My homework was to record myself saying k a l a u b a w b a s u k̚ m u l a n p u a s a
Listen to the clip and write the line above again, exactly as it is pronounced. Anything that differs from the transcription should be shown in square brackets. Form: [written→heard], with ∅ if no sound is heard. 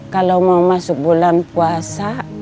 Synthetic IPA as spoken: k a l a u [b→m] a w [b→m] a s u k̚ [m→b] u l a n p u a s a

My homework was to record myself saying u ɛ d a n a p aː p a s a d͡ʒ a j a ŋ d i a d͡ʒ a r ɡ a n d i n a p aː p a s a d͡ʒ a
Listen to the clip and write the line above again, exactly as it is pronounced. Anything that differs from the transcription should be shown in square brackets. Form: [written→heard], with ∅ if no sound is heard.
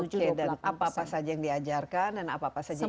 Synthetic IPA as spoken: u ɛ d a n a p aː p a s a d͡ʒ a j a ŋ d i a d͡ʒ a r [ɡ→k] a n d [i→a] n a p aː p a s a d͡ʒ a

